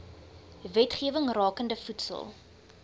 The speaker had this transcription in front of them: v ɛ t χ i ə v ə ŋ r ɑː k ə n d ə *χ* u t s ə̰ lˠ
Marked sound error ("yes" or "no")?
yes